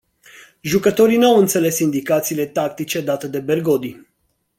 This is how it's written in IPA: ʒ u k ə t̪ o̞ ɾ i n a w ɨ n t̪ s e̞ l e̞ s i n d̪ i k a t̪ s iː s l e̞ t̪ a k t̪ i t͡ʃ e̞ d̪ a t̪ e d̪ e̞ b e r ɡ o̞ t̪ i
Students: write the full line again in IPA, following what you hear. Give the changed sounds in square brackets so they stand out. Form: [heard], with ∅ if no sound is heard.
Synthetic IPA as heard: ʒ u k ə t̪ o̞ ɾ i n a w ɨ n t̪ s e̞ l e̞ s i n d̪ i k a t̪ s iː [∅] l e̞ t̪ a k t̪ i t͡ʃ e̞ d̪ a t̪ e d̪ e̞ b e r ɡ o̞ [d̪] i